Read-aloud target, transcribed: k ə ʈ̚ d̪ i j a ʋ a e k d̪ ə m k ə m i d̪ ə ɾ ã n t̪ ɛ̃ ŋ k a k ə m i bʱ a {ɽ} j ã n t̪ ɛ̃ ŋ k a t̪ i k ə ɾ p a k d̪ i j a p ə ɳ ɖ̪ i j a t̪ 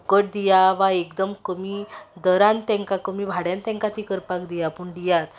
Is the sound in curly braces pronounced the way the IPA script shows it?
yes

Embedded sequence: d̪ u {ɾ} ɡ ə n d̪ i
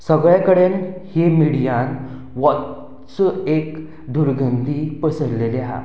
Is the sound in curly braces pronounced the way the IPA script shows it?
yes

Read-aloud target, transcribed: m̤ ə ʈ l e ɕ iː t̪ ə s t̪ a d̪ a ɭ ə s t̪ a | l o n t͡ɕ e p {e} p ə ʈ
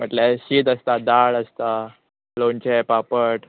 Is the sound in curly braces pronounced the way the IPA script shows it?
no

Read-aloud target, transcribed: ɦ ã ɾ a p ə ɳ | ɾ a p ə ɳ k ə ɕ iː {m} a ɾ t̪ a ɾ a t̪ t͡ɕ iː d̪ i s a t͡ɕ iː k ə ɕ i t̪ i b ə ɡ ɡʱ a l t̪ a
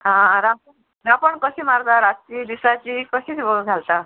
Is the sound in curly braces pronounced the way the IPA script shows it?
yes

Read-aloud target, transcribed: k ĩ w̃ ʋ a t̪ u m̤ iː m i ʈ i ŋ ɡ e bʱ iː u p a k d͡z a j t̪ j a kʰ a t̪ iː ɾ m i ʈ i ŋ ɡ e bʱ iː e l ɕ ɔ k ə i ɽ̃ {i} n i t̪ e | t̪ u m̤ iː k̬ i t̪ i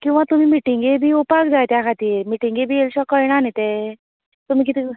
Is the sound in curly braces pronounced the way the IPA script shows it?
no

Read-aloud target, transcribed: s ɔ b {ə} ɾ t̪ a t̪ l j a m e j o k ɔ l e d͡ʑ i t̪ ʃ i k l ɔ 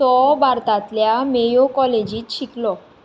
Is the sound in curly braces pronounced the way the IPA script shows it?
no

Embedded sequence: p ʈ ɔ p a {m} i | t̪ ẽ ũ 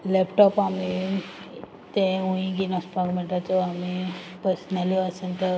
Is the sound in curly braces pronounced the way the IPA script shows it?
yes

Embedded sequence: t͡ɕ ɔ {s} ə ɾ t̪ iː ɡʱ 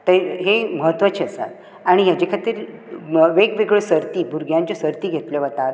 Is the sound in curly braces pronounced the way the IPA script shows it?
yes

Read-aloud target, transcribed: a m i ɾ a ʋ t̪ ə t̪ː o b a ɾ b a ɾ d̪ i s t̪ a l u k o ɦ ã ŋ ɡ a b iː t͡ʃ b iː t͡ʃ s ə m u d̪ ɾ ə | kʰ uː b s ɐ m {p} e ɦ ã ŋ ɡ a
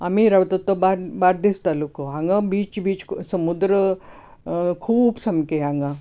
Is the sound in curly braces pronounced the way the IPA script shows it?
no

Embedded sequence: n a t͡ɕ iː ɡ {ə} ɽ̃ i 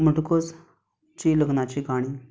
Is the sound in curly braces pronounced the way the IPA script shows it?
no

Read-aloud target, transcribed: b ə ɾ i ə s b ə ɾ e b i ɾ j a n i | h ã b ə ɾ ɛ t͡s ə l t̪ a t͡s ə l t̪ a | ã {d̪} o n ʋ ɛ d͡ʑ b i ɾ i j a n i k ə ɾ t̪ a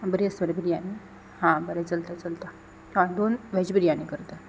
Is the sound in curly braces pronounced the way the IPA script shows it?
yes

